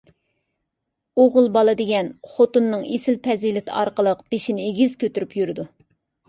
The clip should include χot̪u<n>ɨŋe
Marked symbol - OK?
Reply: no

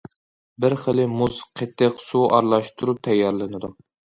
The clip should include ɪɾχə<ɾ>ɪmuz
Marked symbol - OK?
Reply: no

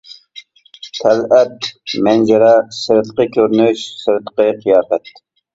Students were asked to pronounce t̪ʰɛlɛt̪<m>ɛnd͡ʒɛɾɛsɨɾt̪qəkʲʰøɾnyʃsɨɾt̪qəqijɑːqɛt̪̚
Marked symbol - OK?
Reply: yes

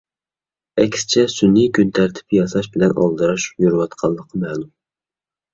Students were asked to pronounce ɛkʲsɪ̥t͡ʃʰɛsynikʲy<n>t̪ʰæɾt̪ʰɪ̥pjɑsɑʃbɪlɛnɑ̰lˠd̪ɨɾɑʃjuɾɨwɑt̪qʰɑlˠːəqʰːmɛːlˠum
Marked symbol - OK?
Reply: yes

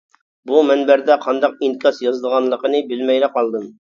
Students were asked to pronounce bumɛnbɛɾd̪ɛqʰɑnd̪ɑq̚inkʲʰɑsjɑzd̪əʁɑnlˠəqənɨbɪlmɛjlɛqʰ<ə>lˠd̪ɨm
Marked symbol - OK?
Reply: no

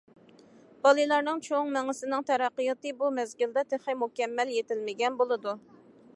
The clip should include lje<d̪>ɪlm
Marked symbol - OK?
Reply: no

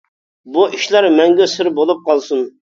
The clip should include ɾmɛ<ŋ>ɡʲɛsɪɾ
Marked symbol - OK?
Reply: yes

